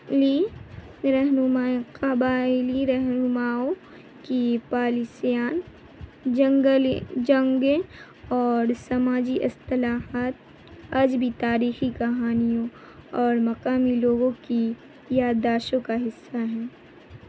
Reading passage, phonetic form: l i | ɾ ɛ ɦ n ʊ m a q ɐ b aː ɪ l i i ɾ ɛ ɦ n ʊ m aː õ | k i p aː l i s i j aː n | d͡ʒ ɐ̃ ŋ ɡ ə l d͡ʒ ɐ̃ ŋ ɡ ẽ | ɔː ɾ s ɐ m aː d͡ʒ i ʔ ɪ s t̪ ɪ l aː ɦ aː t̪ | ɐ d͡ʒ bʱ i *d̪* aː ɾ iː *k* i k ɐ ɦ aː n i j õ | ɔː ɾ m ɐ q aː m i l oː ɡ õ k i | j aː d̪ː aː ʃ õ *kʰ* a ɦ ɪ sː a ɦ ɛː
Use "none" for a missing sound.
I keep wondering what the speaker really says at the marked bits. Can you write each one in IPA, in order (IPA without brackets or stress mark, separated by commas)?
t̪, x, k